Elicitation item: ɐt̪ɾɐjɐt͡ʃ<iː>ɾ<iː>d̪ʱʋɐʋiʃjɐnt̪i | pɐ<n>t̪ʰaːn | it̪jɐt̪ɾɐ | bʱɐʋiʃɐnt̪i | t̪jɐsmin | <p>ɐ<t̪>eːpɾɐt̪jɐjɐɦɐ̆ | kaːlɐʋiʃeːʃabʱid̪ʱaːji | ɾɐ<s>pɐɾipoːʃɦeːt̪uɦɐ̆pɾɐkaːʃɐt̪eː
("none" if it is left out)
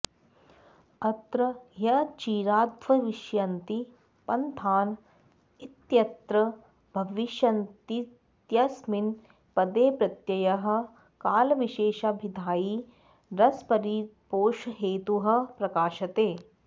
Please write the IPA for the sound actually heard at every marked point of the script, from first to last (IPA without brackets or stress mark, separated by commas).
iː, aː, n, p, d̪, s